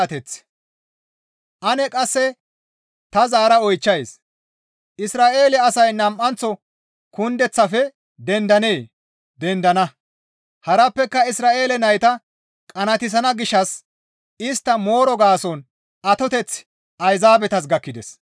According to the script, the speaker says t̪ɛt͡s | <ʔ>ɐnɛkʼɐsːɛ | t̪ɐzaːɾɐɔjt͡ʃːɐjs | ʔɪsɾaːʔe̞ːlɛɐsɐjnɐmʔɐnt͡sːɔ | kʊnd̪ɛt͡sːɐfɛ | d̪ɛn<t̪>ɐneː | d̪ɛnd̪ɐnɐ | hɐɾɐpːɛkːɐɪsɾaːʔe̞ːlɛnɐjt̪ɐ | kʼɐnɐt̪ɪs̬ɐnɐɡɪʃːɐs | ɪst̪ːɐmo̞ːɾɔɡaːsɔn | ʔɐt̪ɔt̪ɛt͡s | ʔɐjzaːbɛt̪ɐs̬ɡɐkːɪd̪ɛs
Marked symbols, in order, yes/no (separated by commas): yes, no